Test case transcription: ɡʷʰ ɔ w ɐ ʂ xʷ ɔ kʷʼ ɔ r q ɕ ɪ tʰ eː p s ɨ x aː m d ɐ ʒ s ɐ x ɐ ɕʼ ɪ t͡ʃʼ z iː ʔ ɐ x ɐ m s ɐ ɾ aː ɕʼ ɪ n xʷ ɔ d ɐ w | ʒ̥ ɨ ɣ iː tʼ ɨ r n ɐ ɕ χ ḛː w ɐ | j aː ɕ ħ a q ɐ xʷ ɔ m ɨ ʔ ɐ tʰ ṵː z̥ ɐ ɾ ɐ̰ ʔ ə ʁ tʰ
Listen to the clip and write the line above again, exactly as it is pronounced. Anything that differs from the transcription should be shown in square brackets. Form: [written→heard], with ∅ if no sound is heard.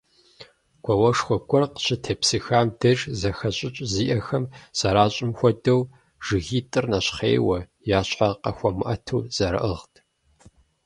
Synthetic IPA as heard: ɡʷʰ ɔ w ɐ ʂ xʷ ɔ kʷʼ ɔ r q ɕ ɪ tʰ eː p s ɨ x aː m d ɐ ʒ [s→z] ɐ x ɐ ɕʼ ɪ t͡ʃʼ z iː ʔ ɐ x ɐ m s ɐ ɾ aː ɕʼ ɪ [n→m] xʷ ɔ d ɐ w | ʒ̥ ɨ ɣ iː tʼ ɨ r n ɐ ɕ χ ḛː w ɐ | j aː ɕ ħ a q ɐ xʷ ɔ m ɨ ʔ ɐ tʰ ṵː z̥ ɐ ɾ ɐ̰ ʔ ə ʁ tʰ